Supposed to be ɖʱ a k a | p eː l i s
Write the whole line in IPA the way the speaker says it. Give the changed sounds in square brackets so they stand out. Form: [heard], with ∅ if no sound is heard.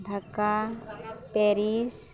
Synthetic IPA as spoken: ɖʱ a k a | p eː [ɾ] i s